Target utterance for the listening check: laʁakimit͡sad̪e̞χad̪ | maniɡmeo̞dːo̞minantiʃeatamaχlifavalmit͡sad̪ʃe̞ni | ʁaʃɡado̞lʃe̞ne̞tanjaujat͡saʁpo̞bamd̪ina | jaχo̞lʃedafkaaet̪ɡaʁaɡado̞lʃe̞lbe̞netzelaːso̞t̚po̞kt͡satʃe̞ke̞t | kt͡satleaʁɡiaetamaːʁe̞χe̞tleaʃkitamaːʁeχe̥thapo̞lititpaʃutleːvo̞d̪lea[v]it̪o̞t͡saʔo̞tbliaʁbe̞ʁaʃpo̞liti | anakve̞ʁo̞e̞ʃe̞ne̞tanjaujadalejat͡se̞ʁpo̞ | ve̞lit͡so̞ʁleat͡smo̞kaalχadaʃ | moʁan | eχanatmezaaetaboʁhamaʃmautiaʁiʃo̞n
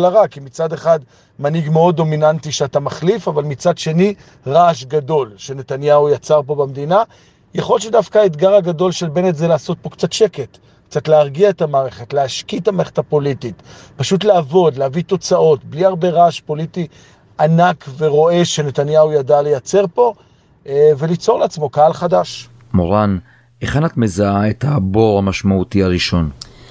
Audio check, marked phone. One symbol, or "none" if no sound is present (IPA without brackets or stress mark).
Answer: v